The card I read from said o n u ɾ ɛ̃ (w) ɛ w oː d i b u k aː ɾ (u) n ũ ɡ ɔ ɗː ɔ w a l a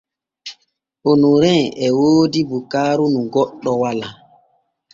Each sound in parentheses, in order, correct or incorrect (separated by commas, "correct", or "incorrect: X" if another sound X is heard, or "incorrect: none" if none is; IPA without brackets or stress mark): incorrect: none, correct